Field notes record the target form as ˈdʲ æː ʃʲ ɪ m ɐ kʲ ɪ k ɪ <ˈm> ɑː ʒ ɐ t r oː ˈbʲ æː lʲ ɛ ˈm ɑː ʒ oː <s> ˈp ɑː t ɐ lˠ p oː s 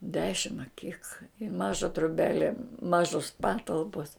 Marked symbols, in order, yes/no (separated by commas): yes, yes